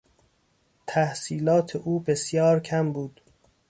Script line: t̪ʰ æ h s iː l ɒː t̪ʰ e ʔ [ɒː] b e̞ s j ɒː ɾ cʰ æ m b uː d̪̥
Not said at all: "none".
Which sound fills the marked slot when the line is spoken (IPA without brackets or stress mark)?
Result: uː